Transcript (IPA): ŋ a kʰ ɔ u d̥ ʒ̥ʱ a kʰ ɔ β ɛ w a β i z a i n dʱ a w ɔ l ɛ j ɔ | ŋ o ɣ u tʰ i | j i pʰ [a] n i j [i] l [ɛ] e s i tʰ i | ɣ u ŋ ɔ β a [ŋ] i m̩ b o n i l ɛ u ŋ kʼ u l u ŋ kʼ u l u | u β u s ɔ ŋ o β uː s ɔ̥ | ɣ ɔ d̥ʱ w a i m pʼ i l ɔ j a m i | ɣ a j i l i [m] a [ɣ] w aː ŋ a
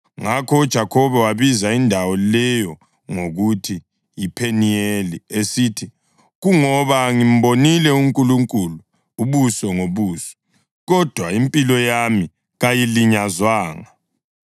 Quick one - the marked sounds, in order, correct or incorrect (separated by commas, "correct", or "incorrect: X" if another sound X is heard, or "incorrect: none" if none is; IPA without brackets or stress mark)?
incorrect: e, incorrect: e, incorrect: i, correct, incorrect: ɲ, incorrect: z